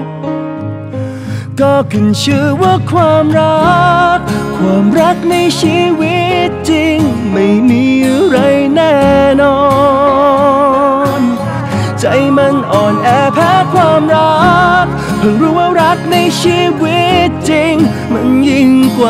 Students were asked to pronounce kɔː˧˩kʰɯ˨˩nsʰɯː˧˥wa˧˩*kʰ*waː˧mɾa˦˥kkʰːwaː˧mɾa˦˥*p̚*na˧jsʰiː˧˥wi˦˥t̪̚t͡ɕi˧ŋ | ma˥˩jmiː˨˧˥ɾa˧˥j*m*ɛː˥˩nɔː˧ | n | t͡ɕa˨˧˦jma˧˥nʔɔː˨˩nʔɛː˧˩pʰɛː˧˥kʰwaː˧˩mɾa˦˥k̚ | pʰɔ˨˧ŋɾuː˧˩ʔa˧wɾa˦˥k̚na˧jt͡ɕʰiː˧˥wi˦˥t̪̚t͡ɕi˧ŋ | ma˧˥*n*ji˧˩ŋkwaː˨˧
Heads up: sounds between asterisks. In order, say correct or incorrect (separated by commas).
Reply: correct, incorrect, incorrect, correct